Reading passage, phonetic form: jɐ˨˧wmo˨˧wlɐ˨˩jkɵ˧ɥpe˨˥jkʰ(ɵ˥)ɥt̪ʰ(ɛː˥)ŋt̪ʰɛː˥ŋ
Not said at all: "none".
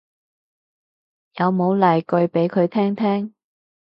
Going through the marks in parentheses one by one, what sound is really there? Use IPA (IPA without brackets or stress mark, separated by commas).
ɵ˨˧, ɛː˥